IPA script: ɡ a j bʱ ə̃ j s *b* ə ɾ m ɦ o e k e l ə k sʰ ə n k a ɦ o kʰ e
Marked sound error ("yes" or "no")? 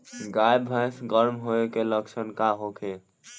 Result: yes